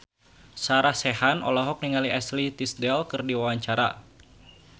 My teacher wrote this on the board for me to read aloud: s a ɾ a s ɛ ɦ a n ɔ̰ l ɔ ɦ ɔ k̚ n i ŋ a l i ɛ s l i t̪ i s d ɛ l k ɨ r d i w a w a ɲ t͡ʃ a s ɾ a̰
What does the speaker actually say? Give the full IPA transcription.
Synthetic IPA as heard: s a ɾ a s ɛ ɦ a n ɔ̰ l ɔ ɦ ɔ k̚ n i ŋ a l i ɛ s l i t̪ i s d ɛ l k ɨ r d i w a w a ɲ t͡ʃ a ɾ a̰